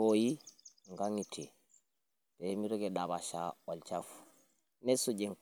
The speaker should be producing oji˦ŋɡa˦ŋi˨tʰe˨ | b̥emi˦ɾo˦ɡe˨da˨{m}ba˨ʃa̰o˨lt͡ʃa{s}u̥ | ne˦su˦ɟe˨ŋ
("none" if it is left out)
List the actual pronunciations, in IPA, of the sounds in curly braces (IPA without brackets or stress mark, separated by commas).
none, f